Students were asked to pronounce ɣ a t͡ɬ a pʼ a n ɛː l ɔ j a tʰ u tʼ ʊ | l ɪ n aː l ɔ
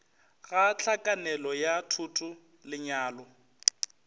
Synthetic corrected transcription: ɣ a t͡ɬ a kʼ a n ɛ l ɔ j a tʰ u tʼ ʊ | l ɪ ɲ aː l ɔ